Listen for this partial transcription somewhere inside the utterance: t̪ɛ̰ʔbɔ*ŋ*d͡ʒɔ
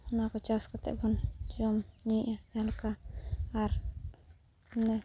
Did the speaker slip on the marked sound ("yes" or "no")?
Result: yes